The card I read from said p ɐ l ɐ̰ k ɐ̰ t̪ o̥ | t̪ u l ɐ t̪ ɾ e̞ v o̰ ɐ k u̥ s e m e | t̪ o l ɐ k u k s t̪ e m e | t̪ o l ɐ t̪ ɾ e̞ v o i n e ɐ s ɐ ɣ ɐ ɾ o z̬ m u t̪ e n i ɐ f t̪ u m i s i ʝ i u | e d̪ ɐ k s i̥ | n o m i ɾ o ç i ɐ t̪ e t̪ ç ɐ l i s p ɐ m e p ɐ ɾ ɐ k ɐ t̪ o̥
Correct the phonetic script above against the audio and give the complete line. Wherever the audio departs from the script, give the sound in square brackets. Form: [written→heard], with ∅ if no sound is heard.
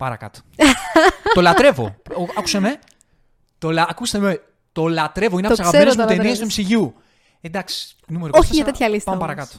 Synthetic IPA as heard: p ɐ [l→ɾ] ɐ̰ k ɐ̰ t̪ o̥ | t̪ [u→o] l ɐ t̪ ɾ e̞ v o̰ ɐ k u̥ s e m e | t̪ o l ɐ k u [k→∅] s t̪ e m e | t̪ o l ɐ t̪ ɾ e̞ v o i n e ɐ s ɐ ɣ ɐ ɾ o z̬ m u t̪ e n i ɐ [f→s] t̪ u m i s i ʝ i u | e d̪ ɐ k s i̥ | n [o→u] m [i→e] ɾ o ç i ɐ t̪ e t̪ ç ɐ l i s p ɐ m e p ɐ ɾ ɐ k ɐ t̪ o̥